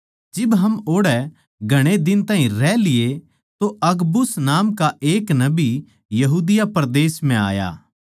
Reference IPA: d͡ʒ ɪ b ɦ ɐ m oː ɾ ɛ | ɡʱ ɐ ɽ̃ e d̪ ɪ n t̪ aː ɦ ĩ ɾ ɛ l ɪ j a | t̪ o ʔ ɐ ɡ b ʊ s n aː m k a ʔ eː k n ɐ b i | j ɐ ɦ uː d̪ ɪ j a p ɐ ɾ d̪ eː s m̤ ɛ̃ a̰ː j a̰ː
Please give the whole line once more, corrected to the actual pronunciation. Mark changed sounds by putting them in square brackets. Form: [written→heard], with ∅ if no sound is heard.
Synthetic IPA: d͡ʒ ɪ b ɦ ɐ m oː [ɾ→ɽ] ɛ | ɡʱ ɐ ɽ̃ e d̪ ɪ n t̪ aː ɦ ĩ ɾ ɛ l ɪ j [a→e] | t̪ o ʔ ɐ ɡ b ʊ s n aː m k a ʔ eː k n ɐ b i | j ɐ ɦ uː d̪ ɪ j a p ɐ ɾ d̪ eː s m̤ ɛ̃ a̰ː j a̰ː